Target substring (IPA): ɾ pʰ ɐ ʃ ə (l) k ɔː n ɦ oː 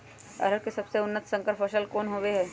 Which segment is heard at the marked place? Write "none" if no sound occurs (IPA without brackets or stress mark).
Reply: l